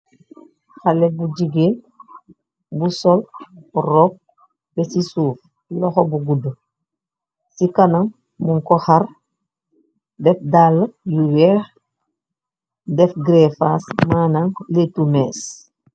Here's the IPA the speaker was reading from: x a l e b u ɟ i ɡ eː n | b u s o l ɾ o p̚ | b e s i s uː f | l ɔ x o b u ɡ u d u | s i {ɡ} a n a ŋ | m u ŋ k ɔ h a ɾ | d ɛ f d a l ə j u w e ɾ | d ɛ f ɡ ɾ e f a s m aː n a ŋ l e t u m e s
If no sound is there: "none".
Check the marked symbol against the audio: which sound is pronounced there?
k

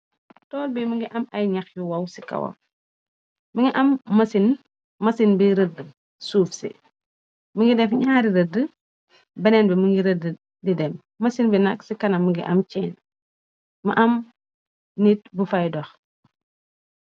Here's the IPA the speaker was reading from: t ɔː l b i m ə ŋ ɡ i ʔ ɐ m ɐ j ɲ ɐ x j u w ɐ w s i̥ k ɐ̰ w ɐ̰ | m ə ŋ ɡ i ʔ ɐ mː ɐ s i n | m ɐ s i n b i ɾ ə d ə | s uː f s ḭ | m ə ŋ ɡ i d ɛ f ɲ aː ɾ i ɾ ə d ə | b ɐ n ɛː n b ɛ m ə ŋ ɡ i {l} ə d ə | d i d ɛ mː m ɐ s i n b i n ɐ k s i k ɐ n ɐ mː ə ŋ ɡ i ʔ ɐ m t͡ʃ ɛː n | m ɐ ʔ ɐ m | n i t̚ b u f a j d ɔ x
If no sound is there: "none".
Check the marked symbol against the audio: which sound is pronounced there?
ɾ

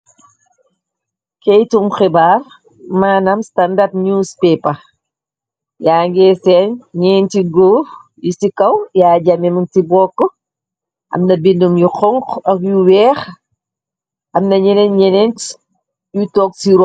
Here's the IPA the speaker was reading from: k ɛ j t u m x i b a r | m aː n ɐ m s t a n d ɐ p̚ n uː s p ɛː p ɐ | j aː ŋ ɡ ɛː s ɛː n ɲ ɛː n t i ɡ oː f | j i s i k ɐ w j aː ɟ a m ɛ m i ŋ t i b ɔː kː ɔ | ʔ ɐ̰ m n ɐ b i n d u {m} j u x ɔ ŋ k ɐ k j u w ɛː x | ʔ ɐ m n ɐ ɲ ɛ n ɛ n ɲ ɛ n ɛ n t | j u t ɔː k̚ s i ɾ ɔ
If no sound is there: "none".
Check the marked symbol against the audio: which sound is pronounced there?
m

